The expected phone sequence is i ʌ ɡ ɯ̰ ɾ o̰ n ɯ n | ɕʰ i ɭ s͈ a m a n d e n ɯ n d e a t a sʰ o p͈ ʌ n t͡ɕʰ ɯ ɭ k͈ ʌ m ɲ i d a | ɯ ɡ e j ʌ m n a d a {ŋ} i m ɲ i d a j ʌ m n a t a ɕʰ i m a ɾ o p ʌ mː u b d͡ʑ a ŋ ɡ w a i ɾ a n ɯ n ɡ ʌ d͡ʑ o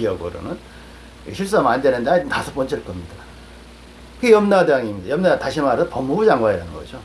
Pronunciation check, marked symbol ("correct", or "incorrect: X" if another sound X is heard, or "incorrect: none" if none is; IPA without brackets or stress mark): correct